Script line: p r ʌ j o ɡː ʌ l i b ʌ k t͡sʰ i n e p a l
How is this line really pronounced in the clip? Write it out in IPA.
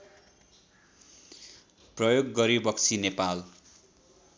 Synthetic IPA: p r ʌ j o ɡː ʌ ɾ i b ʌ k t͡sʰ i n e p a l